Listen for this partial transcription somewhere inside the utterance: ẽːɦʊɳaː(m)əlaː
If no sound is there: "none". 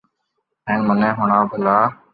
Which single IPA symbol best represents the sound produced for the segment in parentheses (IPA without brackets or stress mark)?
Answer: b